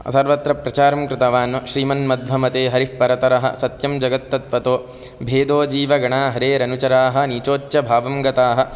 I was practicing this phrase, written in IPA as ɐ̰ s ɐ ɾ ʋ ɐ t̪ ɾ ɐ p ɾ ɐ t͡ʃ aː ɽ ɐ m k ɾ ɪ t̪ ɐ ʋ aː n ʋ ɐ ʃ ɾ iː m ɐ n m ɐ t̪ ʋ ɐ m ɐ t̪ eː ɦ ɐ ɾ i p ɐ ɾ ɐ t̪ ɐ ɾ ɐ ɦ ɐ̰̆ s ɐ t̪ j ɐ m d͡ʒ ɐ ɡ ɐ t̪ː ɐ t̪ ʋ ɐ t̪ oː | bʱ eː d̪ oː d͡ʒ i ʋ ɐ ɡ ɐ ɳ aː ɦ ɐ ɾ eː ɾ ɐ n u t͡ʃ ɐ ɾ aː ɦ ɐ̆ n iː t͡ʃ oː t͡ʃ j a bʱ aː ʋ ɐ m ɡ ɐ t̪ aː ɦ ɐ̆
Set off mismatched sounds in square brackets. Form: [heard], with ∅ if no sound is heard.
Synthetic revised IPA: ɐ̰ s ɐ ɾ ʋ ɐ t̪ ɾ ɐ p ɾ ɐ t͡ʃ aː [ɾ] ɐ m k ɾ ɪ t̪ ɐ ʋ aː n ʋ ɐ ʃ ɾ iː m ɐ n m ɐ [d̪] ʋ ɐ m ɐ t̪ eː ɦ ɐ ɾ i p ɐ ɾ ɐ t̪ ɐ ɾ ɐ ɦ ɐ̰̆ s ɐ t̪ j ɐ m d͡ʒ ɐ ɡ ɐ t̪ː ɐ t̪ ʋ ɐ t̪ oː | bʱ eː d̪ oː d͡ʒ [iː] ʋ ɐ ɡ ɐ ɳ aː ɦ ɐ ɾ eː ɾ ɐ n u t͡ʃ ɐ ɾ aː ɦ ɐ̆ n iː t͡ʃ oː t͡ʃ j [ɐ] bʱ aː ʋ ɐ m ɡ ɐ t̪ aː ɦ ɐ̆